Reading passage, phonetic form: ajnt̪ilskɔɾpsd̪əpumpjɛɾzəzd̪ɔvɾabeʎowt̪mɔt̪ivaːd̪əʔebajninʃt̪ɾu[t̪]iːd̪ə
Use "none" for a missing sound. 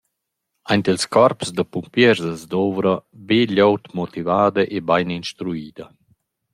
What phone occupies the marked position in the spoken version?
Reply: none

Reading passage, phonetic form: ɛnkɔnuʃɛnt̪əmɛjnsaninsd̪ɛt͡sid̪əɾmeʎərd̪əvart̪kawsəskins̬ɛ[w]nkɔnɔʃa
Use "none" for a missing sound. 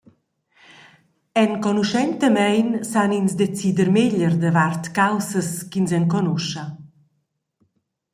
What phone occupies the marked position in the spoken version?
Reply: none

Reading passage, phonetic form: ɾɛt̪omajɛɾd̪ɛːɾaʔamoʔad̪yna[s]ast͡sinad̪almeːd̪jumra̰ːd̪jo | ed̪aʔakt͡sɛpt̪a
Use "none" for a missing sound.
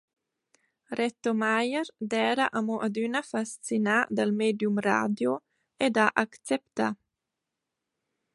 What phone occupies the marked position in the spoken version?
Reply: f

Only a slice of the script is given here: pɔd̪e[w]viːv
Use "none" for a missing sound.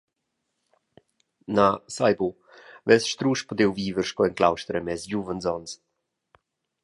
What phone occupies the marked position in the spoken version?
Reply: w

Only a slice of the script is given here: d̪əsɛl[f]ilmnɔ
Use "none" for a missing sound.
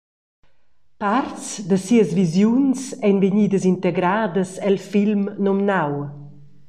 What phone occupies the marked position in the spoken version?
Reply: f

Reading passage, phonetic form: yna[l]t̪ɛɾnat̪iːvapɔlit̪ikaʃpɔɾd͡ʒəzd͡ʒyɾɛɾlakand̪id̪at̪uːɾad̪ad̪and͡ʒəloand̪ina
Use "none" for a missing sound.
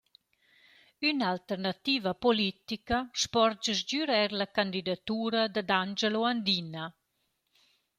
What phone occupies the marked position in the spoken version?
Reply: l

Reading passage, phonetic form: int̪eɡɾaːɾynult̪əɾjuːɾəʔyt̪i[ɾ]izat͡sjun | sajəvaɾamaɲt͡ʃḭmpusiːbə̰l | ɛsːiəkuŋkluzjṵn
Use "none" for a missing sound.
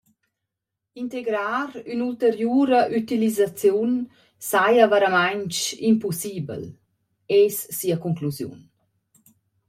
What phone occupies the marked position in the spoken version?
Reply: l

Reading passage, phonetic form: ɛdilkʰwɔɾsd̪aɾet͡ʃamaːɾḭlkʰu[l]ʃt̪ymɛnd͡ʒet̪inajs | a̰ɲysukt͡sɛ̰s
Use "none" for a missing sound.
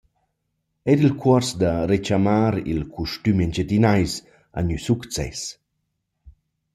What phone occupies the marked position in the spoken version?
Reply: none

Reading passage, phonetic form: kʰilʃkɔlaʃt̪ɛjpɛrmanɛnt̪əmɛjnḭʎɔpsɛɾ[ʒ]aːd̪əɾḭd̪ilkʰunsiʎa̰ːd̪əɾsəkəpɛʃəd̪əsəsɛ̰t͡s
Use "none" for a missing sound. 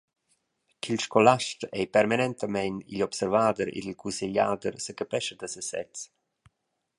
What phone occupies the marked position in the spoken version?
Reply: v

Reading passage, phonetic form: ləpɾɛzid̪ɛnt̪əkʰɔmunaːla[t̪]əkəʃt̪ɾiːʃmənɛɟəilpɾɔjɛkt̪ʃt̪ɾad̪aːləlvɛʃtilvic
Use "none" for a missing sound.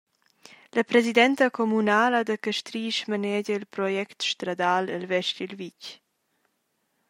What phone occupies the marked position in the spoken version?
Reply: d̪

